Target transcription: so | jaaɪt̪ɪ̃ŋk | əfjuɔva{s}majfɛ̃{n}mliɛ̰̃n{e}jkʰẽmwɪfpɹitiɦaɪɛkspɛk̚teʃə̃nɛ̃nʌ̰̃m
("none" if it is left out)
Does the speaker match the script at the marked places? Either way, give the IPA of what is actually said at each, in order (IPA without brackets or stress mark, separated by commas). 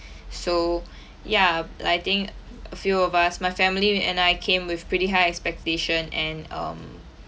s, none, a